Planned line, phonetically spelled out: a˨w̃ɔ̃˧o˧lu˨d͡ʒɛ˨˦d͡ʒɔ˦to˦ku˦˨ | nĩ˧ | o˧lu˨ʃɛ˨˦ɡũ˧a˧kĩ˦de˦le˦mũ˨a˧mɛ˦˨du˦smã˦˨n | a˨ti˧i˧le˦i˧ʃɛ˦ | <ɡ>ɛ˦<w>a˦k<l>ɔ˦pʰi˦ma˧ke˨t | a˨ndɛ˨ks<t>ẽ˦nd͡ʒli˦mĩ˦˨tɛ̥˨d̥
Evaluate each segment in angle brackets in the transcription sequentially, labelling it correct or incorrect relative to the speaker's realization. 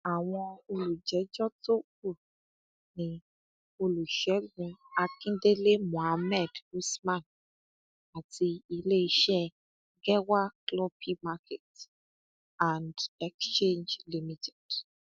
correct, correct, correct, incorrect: t͡ʃ

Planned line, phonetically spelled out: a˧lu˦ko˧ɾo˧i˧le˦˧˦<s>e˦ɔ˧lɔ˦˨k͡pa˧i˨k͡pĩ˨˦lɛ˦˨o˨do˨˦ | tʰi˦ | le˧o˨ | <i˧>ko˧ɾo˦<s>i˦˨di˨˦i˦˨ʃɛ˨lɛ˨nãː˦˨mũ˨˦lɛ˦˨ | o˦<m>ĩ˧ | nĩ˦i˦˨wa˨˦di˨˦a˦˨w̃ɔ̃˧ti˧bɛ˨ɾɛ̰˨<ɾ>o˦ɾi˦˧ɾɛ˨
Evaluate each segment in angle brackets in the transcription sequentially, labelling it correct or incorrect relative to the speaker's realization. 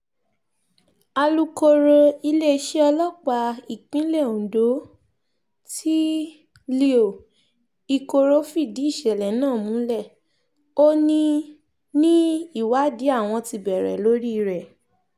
incorrect: ʃ, correct, incorrect: f, incorrect: n, incorrect: l

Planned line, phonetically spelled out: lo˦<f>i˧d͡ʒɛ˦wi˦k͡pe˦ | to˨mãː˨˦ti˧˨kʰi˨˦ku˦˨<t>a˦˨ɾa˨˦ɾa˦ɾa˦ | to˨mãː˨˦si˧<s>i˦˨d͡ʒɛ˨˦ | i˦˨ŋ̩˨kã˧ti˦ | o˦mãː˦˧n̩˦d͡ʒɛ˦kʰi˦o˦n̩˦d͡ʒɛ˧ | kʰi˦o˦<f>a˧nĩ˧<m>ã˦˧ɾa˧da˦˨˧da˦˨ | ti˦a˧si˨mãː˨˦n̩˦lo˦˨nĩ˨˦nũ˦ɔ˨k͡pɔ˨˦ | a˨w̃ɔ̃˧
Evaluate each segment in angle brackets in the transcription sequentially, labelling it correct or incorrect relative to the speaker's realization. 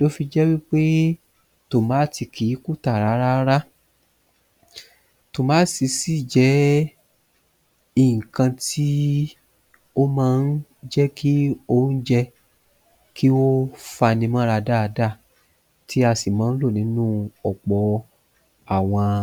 correct, correct, correct, correct, correct

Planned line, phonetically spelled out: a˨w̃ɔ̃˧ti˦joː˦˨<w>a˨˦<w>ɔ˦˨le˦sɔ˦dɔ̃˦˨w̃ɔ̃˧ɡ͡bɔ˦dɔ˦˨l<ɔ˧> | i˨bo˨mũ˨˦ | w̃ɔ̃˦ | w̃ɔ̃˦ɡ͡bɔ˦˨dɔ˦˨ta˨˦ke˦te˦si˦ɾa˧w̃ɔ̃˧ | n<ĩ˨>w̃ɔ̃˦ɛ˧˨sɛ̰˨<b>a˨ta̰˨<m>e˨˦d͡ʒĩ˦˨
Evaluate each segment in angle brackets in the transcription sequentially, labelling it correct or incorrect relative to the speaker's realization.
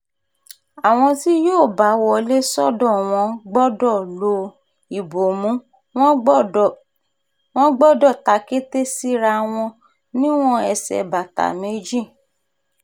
incorrect: b, correct, incorrect: o˧, incorrect: ĩ˦, correct, correct

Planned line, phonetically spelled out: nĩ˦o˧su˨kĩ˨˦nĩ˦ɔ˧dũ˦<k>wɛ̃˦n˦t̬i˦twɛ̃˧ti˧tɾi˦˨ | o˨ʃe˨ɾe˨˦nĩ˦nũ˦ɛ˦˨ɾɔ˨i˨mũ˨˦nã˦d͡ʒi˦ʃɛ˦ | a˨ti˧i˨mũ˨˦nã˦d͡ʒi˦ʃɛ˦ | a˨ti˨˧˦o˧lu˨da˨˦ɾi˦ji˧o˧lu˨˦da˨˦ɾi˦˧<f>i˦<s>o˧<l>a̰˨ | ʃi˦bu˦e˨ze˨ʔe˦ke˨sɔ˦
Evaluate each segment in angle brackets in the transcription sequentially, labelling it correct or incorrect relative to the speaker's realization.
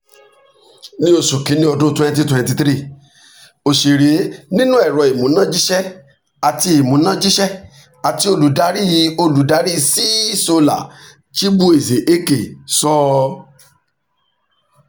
incorrect: t, incorrect: s, correct, correct

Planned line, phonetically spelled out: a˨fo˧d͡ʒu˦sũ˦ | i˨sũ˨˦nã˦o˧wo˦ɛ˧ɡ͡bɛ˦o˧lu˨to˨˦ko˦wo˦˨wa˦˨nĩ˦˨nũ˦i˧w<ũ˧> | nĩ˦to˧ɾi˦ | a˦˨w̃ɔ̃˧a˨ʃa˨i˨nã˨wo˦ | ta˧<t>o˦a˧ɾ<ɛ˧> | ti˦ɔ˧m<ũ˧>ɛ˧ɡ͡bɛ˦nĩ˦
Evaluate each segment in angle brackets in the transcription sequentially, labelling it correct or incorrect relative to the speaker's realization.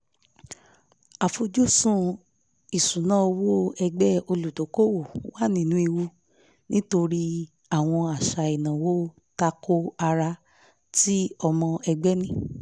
incorrect: u˧, incorrect: k, incorrect: a˧, incorrect: ɔ̃˧

